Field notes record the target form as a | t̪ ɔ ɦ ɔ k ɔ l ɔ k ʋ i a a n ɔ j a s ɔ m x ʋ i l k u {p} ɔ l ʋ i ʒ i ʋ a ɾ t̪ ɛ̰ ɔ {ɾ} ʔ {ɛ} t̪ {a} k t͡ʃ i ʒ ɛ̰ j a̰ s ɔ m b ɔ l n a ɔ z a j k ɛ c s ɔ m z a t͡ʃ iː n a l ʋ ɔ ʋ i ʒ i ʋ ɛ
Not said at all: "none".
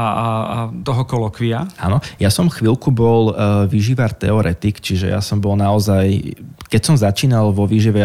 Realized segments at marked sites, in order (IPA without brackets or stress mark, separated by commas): b, ɾ, ɛ, i